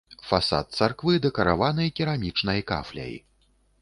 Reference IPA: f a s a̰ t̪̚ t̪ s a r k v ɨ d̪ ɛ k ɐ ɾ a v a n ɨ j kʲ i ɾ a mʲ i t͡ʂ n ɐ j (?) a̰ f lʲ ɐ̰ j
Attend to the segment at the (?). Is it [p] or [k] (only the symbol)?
k